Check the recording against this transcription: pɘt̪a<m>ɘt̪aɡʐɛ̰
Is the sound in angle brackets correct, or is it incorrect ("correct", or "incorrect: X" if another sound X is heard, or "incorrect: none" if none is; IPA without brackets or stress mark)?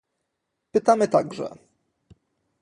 correct